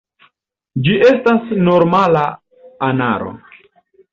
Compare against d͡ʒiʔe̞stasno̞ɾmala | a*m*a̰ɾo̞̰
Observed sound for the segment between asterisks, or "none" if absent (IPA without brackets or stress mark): n